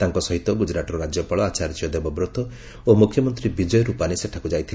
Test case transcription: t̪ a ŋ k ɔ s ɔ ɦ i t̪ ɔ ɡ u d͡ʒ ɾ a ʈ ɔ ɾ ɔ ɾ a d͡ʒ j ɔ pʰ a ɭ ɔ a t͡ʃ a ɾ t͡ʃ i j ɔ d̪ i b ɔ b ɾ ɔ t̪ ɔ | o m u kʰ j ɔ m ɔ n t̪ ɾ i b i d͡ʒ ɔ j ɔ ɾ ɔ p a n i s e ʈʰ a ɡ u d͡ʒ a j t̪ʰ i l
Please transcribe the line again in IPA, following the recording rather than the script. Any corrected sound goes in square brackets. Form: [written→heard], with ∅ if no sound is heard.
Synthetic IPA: t̪ a ŋ k ɔ s ɔ ɦ i t̪ ɔ ɡ u d͡ʒ ɾ a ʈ ɔ ɾ ɔ ɾ a d͡ʒ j ɔ [pʰ→p] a ɭ ɔ a t͡ʃ a ɾ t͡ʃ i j ɔ d̪ [i→e] b ɔ b ɾ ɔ t̪ ɔ | o m u kʰ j ɔ m ɔ n t̪ ɾ i b i d͡ʒ ɔ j ɔ ɾ [ɔ→u] p a n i s e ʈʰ a [ɡ→k] u d͡ʒ a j t̪ʰ i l